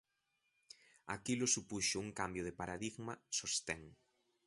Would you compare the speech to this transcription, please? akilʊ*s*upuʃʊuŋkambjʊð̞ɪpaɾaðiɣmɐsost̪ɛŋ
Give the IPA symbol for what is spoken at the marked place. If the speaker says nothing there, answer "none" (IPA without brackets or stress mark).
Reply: s